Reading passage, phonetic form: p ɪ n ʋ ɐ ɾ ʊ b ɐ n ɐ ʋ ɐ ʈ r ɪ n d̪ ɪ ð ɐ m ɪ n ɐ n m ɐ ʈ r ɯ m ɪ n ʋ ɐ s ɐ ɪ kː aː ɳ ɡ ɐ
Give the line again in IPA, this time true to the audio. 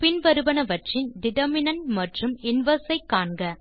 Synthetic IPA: p ɪ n ʋ ɐ ɾ ɯ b ɐ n ɐ ʋ ɐ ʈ r ɪ n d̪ ɪ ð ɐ m ɪ n ɐ n m ɐ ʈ r ɯ m ɪ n ʋ ɐ s ɐ ɪ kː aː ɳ ɡ ɐ